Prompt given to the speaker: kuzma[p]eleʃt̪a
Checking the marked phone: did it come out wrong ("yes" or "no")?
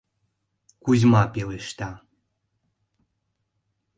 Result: no